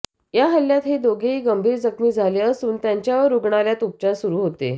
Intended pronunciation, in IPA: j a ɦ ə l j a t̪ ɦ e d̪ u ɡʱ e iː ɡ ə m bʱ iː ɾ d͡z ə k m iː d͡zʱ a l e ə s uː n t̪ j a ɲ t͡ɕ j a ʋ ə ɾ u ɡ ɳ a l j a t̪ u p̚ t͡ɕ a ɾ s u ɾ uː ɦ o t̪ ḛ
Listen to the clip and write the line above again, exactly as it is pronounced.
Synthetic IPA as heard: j a ɦ ə l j a t̪ ɦ e d̪ o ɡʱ e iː ɡ ə m bʱ iː ɾ d͡z ə k m iː d͡zʱ a l e ə s uː n t̪ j a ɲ t͡ɕ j a ʋ ə ɾ u ɡ ɳ a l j a t̪ u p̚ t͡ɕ a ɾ s u ɾ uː ɦ o t̪ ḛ